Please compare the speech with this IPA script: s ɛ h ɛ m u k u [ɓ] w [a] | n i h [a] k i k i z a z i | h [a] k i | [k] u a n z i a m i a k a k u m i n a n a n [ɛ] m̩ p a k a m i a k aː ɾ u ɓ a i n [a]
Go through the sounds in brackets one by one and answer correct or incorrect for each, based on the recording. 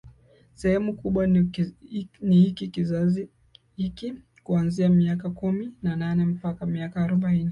correct, correct, incorrect, incorrect, correct, correct, incorrect

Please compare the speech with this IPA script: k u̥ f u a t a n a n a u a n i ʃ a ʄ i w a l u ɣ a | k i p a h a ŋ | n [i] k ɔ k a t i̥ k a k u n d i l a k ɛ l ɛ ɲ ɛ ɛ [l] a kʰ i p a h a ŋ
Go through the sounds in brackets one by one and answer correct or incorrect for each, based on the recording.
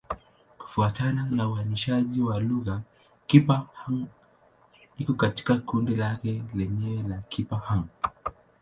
correct, correct

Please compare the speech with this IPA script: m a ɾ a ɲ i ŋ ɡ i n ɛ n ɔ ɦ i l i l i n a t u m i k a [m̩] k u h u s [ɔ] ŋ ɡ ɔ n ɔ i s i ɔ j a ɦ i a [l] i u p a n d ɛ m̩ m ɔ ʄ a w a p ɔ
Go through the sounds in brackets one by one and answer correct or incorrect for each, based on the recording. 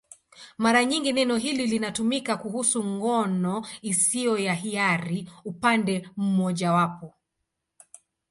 incorrect, incorrect, incorrect

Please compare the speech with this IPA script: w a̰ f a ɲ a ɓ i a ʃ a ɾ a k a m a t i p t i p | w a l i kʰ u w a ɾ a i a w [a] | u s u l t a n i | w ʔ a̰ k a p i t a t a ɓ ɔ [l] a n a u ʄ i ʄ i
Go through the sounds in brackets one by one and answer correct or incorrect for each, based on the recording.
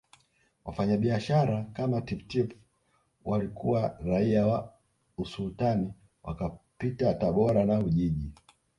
correct, incorrect

